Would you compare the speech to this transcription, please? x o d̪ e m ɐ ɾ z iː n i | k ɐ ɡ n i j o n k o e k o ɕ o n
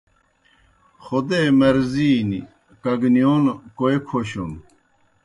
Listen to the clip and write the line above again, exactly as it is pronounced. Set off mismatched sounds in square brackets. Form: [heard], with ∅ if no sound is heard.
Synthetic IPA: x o d̪ e m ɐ ɾ z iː n i | k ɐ ɡ n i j o n k o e [kʰ] o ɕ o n